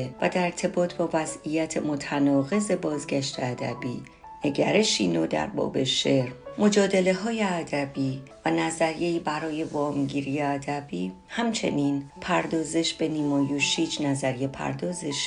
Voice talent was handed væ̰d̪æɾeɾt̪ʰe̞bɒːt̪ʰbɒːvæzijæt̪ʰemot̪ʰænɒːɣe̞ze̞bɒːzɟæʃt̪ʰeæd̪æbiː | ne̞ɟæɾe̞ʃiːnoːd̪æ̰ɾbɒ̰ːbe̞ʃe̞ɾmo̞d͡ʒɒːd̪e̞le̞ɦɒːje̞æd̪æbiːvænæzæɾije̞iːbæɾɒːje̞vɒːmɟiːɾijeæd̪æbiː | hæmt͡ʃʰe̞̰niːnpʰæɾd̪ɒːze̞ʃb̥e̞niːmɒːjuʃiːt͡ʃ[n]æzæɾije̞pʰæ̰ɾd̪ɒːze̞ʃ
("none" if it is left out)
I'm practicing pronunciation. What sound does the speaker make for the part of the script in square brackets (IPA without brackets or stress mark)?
n